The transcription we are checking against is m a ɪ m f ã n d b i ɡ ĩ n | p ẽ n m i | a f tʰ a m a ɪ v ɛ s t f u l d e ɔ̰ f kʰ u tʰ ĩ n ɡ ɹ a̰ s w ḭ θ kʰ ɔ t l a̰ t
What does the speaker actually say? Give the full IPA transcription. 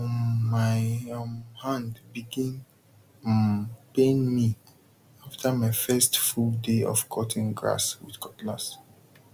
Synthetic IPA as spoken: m a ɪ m h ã n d b i ɡ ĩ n | p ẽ n m i | a f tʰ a m a ɪ f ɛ s t f u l d e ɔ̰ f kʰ ɔ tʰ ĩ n ɡ ɹ a̰ s w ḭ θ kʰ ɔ t l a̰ s

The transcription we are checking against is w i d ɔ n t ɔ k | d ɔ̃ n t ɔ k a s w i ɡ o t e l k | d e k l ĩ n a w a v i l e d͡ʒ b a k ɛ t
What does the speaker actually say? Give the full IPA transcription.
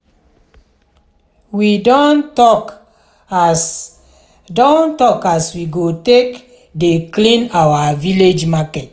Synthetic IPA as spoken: w i d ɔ n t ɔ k | d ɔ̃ n t ɔ k a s w i ɡ o t e k | d e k l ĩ n a w a v i l e d͡ʒ m a k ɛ t

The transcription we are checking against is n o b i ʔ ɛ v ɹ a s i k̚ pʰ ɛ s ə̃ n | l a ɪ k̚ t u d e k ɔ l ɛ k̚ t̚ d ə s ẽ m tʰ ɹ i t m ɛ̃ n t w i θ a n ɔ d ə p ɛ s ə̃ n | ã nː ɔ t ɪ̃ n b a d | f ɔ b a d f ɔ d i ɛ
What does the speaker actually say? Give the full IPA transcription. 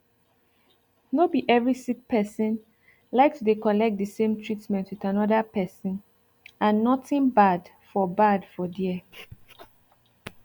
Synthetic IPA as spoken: n o b i ʔ ɛ v ɹ i s i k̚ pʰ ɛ s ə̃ n | l a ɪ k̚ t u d e k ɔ l ɛ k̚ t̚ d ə s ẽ m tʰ ɹ i t m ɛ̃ n t w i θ a n ɔ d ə p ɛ s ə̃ n | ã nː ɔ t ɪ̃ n b a d | f ɔ b a d f ɔ d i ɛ

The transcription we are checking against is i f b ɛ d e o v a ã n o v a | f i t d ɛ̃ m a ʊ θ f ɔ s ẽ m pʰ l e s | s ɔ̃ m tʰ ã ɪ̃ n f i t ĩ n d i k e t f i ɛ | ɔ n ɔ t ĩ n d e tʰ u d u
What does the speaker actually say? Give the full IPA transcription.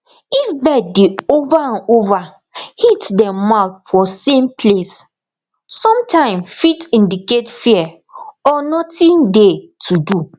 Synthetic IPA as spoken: i f b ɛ d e o v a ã n o v a | h i t d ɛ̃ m a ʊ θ f ɔ s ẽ m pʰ l e s | s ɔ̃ m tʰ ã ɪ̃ m f i t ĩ n d i k e t f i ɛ | ɔ n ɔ t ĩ n d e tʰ u d u

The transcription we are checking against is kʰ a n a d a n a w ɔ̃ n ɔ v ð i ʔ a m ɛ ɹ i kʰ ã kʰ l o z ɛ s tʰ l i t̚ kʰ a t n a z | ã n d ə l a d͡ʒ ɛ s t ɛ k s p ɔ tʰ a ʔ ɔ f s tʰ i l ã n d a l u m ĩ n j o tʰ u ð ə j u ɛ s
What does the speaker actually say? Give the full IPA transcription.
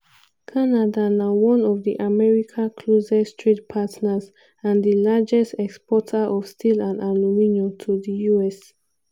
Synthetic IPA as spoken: kʰ a n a d a n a w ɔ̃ n ɔ v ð i ʔ a m ɛ ɹ i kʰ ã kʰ l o z ɛ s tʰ ɹ i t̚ pʰ a t n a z | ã n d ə l a d͡ʒ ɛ s t ɛ k s p ɔ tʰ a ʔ ɔ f s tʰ i l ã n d a l u m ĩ n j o tʰ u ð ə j u ɛ s

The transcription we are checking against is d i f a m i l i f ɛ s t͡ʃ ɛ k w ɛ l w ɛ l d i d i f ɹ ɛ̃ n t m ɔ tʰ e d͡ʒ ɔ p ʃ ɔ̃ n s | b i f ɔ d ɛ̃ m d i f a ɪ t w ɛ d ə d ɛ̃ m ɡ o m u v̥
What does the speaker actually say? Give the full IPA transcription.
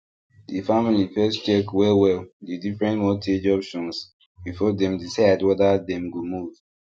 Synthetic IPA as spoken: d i f a m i l i f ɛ s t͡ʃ ɛ k w ɛ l w ɛ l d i d i f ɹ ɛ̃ n t m ɔ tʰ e d͡ʒ ɔ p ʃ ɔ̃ n s | b i f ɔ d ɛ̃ m d i s a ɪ d w ɛ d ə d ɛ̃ m ɡ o m u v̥

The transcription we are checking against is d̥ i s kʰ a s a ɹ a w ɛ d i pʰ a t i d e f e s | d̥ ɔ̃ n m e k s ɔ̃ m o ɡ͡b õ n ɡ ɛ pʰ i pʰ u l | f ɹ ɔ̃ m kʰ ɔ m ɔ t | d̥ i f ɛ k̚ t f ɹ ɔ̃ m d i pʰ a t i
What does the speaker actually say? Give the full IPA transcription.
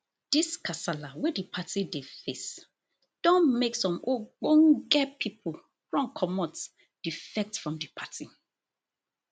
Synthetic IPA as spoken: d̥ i s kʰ a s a l a w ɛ d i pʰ a t i d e f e s | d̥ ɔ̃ n m e k s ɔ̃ m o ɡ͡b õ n ɡ ɛ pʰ i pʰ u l | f ɹ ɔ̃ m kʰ ɔ m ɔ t | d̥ i f ɛ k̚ t f ɹ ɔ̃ m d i pʰ a t i

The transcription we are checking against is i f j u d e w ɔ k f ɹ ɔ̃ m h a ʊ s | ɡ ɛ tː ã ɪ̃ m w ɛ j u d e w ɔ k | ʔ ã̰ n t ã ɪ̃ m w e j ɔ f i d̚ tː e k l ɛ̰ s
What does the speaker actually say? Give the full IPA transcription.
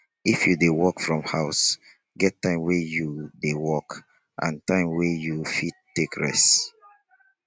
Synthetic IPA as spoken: i f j u d e w ɔ k f ɹ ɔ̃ m h a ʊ s | ɡ ɛ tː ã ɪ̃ m w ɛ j u d e w ɔ k | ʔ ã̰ n t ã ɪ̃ m w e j u f i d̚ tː e k ɹ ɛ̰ s

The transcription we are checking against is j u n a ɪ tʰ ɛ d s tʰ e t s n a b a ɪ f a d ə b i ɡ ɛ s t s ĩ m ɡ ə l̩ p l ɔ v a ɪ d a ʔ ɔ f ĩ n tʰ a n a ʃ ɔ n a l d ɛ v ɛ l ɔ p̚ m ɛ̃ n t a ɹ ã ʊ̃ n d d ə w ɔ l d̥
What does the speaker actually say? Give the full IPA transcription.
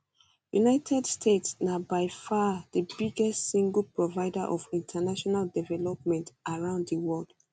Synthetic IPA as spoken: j u n a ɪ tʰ ɛ d s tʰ e t s n a b a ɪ f a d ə b i ɡ ɛ s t s ĩ ŋ ɡ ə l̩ p ɹ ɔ v a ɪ d a ʔ ɔ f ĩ n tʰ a n a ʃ ɔ n a l d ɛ v ɛ l ɔ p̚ m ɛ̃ n t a ɹ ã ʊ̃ n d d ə w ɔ l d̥

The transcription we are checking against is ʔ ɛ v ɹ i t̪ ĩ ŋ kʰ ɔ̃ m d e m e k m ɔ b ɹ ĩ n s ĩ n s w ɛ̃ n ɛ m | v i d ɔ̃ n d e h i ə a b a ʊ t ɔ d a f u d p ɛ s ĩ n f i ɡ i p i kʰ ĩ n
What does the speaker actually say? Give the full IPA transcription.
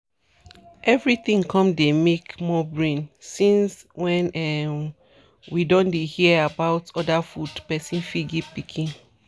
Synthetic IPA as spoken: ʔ ɛ v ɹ i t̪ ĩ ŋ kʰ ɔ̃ m d e m e k m ɔ b ɹ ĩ n s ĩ n s w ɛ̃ n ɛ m | w i d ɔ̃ n d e h i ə a b a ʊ t ɔ d a f u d p ɛ s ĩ n f i ɡ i p i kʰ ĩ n

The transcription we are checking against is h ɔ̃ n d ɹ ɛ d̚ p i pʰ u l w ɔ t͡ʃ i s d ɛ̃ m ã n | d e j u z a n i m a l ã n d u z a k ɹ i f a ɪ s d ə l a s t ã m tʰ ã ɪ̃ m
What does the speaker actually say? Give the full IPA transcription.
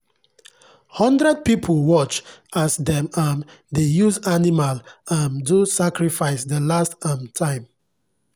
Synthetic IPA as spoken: h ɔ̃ n d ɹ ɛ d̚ p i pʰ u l w ɔ t͡ʃ a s d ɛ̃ m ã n | d e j u z a n i m a l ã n d u s a k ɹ i f a ɪ s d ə l a s t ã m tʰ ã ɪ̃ m

